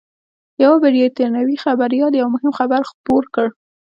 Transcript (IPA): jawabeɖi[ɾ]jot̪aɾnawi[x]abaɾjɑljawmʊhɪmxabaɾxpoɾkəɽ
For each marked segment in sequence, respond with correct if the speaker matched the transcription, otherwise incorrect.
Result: incorrect: none, correct

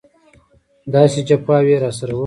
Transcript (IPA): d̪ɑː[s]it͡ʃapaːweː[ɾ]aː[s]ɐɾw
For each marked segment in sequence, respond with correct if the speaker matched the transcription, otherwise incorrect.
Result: correct, correct, correct

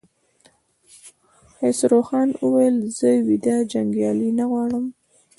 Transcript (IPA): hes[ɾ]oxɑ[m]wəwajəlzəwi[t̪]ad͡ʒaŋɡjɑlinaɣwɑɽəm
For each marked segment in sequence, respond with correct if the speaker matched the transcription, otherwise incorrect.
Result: correct, incorrect: n, incorrect: d̪

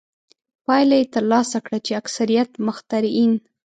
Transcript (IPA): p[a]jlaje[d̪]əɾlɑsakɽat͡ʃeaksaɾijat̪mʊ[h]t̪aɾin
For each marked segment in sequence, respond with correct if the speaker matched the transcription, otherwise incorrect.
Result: incorrect: ɑ, incorrect: t̪, incorrect: x

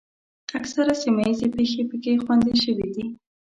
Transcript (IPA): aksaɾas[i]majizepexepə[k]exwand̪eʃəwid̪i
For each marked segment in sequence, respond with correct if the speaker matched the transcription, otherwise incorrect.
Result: correct, correct

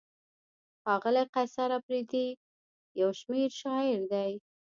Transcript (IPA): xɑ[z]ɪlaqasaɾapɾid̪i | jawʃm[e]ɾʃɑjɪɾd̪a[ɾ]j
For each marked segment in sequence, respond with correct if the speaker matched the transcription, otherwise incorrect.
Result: incorrect: ɣ, correct, incorrect: none

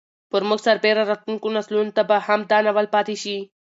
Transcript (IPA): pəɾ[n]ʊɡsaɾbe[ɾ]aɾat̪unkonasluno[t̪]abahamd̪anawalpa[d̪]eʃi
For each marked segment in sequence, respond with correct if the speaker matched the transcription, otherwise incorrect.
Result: incorrect: m, correct, correct, incorrect: t̪

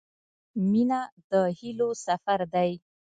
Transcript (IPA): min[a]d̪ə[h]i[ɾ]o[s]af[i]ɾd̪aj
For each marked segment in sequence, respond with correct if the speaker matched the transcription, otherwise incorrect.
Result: correct, correct, incorrect: l, correct, incorrect: a

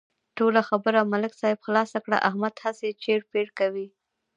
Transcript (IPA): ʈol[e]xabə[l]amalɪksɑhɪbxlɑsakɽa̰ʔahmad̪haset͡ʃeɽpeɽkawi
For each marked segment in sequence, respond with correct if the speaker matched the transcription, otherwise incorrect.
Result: incorrect: a, incorrect: ɾ

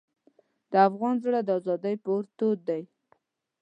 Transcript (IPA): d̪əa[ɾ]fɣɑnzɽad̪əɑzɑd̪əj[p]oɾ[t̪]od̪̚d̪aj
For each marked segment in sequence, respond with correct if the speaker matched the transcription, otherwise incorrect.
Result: incorrect: none, correct, correct

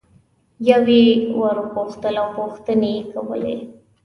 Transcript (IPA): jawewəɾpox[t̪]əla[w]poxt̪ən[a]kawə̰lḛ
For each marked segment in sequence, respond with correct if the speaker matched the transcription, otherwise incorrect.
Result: correct, correct, incorrect: e

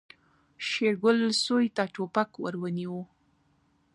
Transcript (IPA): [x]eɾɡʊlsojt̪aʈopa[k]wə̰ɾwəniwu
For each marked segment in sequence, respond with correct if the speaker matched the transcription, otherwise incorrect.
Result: incorrect: ʃ, correct

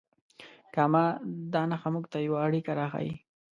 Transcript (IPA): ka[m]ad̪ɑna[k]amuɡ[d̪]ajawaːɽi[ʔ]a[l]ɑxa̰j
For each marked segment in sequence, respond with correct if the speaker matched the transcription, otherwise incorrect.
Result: correct, incorrect: x, incorrect: t̪, incorrect: k, incorrect: ɾ

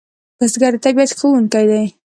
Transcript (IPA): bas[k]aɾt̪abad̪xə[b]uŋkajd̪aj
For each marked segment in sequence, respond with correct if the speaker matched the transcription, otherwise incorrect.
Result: incorrect: ɡ, incorrect: w

